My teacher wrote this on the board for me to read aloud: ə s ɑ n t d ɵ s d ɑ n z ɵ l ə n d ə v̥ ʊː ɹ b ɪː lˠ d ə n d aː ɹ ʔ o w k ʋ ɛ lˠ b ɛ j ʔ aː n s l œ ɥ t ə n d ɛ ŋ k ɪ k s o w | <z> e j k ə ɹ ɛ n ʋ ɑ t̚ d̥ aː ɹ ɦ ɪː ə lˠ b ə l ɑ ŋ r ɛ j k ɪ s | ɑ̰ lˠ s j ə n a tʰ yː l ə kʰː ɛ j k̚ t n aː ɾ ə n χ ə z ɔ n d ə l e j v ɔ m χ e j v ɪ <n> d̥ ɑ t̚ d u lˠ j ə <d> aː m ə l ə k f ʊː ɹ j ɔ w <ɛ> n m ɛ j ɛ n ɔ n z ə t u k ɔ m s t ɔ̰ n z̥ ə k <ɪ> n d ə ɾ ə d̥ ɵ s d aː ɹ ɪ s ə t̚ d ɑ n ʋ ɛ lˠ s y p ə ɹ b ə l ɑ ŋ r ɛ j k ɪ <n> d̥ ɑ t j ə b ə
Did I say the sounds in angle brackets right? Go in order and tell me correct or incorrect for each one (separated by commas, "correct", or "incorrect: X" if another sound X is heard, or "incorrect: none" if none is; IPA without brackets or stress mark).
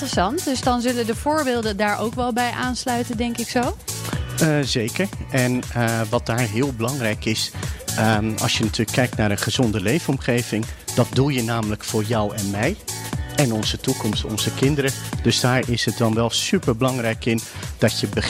correct, incorrect: ŋ, incorrect: n, correct, correct, correct